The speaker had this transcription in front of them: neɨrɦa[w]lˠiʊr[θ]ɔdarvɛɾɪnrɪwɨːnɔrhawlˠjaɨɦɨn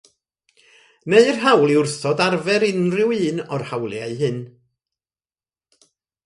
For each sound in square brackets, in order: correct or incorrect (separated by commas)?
correct, correct